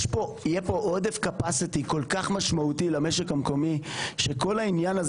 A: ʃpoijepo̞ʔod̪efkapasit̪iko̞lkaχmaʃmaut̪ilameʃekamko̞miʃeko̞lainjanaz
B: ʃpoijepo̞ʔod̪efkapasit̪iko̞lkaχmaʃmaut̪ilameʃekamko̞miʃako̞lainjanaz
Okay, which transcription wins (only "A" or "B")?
A